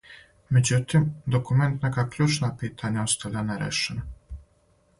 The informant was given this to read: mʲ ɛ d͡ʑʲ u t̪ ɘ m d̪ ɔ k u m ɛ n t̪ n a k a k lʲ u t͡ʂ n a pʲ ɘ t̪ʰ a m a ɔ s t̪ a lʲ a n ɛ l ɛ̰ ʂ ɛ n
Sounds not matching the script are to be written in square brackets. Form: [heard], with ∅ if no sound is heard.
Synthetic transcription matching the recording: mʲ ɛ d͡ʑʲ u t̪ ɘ m d̪ ɔ k u m ɛ n t̪ n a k a k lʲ u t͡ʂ n a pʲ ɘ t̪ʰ a [ɲ] a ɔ s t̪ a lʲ a n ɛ [ɾ] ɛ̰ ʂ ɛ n

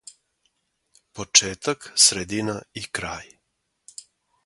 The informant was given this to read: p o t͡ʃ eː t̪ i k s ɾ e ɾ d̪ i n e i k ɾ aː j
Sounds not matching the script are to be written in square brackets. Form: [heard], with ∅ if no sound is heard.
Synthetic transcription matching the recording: p o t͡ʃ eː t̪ [a] k s ɾ e [∅] d̪ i n [a] i k ɾ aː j

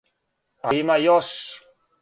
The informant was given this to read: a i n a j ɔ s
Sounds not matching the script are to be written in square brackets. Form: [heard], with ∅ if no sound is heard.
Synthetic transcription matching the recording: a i [m] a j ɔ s

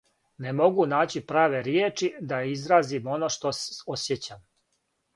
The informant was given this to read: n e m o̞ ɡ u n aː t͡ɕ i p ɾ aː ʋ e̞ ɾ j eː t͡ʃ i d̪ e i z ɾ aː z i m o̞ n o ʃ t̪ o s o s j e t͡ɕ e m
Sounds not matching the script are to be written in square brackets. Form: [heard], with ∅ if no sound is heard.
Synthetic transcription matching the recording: n e m o̞ ɡ u n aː t͡ɕ i p ɾ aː ʋ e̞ ɾ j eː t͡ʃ i d̪ [a] i z ɾ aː z i m o̞ n o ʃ t̪ o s o s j e t͡ɕ [a] m

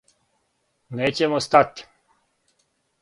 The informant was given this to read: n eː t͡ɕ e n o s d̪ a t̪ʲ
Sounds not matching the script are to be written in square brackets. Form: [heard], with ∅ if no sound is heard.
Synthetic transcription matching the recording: n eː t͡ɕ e [m] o s [t̪] a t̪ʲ

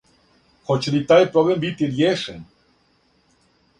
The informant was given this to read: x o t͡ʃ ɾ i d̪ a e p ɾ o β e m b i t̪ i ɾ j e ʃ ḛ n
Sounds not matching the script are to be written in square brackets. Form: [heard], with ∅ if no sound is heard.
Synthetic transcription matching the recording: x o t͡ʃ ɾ i [t̪] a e p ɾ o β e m b i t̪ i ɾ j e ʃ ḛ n

